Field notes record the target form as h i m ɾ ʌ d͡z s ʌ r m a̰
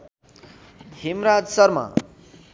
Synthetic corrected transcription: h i m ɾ a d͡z s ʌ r m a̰